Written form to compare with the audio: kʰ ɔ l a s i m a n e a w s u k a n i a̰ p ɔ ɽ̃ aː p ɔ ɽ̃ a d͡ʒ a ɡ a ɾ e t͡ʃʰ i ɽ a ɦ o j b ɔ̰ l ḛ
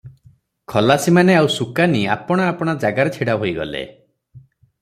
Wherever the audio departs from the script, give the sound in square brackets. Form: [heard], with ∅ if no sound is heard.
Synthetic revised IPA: kʰ ɔ l a s i m a n e a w s u k a n i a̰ p ɔ ɽ̃ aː p ɔ ɽ̃ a d͡ʒ a ɡ a ɾ e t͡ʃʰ i ɽ a ɦ o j [ɡ] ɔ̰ l ḛ